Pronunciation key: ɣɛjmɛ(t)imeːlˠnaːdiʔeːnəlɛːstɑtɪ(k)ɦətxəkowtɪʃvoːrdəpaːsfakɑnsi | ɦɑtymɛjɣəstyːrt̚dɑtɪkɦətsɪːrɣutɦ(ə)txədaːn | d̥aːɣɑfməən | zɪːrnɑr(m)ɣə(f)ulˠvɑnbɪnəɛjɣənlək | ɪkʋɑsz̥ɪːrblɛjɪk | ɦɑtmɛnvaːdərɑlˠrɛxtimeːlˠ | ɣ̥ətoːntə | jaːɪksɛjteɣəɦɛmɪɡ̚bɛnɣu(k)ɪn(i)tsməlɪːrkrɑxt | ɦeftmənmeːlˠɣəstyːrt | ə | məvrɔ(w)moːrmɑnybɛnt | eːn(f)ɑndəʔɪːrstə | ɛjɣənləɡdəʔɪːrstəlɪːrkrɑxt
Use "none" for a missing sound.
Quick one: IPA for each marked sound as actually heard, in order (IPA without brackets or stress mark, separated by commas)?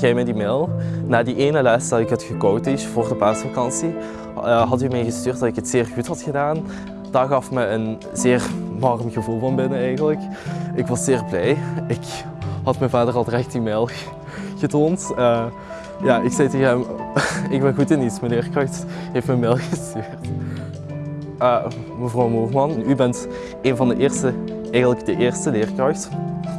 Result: d, k, ɑ, m, v, t, i, w, v